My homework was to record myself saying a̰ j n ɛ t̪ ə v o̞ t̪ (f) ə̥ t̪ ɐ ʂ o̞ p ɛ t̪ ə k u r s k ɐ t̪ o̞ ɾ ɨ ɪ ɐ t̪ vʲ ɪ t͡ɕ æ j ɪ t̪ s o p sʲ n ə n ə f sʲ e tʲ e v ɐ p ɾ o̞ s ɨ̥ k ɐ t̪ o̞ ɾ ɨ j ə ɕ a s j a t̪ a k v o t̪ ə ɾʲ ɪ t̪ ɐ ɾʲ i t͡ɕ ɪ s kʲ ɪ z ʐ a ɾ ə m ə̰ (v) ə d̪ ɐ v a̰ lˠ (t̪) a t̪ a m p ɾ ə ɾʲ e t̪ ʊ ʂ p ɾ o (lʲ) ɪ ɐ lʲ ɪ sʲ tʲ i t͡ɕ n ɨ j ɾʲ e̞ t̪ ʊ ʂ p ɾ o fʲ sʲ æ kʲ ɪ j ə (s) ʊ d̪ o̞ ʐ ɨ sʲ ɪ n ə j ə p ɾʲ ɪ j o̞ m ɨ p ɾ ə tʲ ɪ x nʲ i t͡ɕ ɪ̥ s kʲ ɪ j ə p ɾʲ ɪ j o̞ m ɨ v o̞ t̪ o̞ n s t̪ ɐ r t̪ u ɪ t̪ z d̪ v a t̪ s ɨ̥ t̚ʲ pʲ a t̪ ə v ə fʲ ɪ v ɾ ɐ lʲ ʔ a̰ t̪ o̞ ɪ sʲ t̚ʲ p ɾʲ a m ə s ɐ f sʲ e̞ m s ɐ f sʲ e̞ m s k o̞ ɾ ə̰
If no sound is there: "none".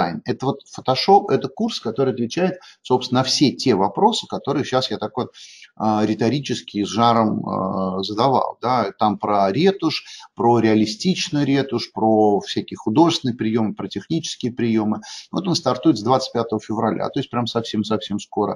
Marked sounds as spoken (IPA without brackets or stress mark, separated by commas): f, z, d̪, ɾʲ, x